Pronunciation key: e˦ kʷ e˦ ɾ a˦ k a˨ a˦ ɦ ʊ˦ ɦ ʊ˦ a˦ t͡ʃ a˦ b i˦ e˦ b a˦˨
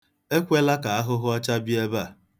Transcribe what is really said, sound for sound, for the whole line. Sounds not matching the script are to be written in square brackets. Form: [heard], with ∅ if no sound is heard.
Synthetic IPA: e˦ kʷ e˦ [l] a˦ k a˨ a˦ ɦ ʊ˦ ɦ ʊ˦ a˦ t͡ʃ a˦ b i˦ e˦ b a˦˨